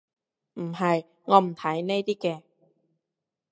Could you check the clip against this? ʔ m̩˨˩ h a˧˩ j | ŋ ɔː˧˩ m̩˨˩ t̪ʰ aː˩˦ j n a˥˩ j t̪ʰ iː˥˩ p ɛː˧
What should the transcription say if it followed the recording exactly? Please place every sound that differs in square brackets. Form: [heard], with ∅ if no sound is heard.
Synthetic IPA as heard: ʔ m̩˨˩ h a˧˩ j | ŋ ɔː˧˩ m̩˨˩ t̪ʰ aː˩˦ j n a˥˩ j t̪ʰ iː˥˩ [k] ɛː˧

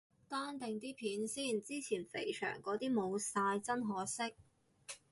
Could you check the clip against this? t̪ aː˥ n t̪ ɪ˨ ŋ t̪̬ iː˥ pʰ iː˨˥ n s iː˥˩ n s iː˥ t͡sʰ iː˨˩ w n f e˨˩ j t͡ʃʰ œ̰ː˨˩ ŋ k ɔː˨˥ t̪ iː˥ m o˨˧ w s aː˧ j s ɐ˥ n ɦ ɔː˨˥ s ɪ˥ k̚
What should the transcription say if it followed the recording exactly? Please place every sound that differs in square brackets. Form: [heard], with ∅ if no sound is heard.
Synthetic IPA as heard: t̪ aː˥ n t̪ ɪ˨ ŋ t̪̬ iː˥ pʰ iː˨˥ n s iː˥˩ n [t͡s] iː˥ t͡sʰ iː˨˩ [∅] n f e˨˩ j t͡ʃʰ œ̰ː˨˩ ŋ k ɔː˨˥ t̪ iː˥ m o˨˧ w s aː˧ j [t͡s] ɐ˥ n ɦ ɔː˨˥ s ɪ˥ k̚

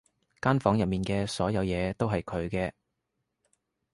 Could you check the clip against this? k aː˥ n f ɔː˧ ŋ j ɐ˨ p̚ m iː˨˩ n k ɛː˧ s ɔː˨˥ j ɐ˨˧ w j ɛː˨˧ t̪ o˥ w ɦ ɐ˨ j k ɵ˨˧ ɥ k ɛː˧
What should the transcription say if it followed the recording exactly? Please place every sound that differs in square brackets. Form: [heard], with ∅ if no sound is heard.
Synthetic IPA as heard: k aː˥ n f [ɔː˨˥] ŋ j ɐ˨ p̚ m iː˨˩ n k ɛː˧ s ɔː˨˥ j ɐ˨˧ w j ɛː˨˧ t̪ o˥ w ɦ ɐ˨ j [kʰ] ɵ˨˧ ɥ k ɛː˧

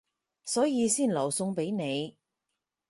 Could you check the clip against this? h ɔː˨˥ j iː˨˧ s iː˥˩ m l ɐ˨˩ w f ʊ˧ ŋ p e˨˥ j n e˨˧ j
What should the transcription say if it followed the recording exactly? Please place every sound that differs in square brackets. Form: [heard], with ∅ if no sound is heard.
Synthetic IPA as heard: [s] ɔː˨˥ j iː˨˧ s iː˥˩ [n] l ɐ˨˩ w [s] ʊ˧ ŋ p e˨˥ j n e˨˧ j

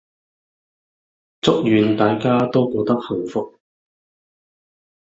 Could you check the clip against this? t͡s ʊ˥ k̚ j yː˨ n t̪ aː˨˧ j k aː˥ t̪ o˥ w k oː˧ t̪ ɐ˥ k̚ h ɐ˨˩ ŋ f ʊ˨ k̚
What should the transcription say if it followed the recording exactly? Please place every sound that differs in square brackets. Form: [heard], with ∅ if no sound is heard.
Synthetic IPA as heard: t͡s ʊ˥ k̚ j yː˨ n t̪ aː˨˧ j k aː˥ t̪ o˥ w k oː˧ t̪ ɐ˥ k̚ h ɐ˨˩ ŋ f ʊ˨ k̚

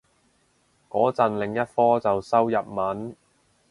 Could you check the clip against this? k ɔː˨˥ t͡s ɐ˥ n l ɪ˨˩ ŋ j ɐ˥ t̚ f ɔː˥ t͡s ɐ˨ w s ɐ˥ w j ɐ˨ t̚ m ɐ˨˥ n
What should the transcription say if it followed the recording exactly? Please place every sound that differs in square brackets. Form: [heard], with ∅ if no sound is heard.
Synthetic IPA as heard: k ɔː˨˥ t͡s [ɐ˨] n l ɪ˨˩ ŋ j ɐ˥ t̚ f ɔː˥ t͡s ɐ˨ w s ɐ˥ w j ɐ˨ [p̚] m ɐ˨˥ n

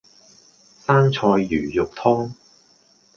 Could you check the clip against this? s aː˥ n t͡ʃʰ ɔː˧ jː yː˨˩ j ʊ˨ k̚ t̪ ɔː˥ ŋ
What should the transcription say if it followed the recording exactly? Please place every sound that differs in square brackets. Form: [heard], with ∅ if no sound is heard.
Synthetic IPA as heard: s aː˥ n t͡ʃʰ ɔː˧ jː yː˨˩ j ʊ˨ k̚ [t̪ʰ] ɔː˥ ŋ

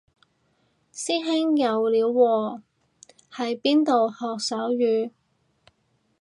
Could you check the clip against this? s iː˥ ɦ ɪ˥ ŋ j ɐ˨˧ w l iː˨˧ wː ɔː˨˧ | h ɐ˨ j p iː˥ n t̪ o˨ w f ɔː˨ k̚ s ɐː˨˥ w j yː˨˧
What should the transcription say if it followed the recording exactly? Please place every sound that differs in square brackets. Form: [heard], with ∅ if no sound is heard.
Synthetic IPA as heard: s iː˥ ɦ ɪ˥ ŋ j ɐ˨˧ w l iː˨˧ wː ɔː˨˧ | h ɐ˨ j p iː˥ n t̪ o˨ w [h] ɔː˨ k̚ s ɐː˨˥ w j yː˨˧

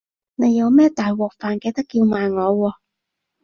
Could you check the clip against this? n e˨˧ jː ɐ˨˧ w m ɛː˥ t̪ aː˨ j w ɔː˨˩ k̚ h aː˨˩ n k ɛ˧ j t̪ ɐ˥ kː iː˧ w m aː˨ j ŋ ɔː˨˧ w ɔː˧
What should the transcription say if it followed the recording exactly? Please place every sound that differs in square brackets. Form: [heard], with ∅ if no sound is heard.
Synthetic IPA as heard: n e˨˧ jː ɐ˨˧ w m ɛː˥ t̪ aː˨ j w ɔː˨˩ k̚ [f] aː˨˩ n k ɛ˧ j t̪ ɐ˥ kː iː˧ w m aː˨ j ŋ ɔː˨˧ w ɔː˧

